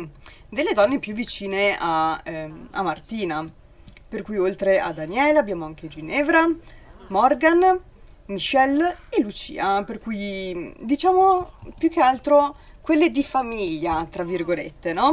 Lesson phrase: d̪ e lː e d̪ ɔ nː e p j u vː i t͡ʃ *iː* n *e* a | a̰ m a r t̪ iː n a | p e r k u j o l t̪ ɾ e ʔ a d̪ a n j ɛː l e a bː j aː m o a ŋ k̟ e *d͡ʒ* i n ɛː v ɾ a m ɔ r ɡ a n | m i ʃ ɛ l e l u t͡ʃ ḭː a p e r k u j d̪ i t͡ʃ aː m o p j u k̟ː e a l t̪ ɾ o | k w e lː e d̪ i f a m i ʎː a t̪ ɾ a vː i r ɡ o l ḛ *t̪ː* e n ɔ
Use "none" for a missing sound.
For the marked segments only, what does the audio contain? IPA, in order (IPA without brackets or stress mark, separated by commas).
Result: iː, e, d͡ʒ, t̪ː